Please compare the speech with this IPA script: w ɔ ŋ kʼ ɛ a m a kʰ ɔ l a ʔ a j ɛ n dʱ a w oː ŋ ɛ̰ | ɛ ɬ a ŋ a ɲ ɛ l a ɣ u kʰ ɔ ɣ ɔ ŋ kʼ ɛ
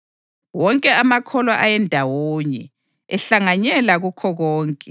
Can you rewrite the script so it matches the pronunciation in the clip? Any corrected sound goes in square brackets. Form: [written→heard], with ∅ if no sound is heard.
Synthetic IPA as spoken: w ɔ ŋ kʼ ɛ a m a kʰ ɔ l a ʔ a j ɛ n dʱ a w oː [ŋ→ɲ] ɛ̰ | ɛ ɬ a ŋ a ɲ ɛ l a ɣ u kʰ ɔ ɣ [ɔ→ɔː] ŋ kʼ ɛ